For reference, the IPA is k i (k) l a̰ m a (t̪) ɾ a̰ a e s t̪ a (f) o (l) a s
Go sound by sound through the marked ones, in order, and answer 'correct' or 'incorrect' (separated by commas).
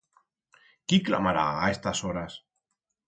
correct, incorrect, incorrect, incorrect